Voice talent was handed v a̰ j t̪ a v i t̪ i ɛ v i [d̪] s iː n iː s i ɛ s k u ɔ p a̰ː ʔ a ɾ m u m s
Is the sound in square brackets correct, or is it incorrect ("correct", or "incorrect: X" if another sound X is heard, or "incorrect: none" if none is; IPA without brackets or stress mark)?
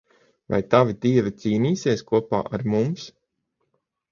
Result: incorrect: t̪